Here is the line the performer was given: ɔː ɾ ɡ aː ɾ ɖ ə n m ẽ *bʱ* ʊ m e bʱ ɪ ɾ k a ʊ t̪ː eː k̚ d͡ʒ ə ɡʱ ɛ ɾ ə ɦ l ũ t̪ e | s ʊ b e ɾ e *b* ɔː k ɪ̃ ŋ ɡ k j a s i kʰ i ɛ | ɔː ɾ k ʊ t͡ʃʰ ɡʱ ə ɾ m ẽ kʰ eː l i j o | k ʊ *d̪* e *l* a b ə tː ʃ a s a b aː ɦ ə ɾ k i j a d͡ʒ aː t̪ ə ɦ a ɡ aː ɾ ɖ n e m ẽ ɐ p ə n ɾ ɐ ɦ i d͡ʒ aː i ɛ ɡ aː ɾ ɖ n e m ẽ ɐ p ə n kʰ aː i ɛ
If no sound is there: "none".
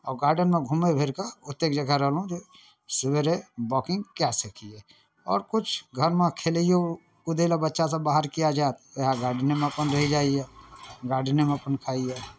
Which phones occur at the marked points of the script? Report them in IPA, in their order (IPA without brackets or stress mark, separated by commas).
ɡʱ, b, d̪, l